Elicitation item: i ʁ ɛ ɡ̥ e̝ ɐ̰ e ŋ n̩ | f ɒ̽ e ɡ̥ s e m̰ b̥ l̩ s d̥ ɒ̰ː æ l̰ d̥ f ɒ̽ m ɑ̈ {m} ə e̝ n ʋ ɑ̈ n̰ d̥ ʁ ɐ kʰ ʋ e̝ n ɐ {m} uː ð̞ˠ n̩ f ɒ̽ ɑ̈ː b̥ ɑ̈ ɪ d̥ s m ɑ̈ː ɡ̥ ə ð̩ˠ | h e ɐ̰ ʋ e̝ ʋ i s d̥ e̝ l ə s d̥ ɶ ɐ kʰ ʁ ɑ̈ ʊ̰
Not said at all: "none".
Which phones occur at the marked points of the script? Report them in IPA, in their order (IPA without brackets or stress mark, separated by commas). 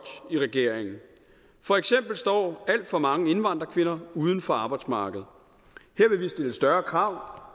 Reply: ŋ, none